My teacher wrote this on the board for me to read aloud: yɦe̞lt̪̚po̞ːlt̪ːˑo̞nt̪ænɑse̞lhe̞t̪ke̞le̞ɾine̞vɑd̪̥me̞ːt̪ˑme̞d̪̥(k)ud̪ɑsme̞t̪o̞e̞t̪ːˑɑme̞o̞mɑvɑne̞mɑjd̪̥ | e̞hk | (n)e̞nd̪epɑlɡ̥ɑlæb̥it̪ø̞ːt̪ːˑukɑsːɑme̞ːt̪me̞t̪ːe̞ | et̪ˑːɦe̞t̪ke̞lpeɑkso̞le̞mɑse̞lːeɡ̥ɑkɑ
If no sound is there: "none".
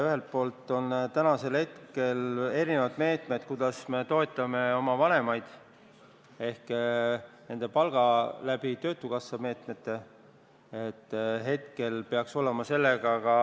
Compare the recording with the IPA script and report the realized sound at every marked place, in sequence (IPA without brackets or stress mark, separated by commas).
k, n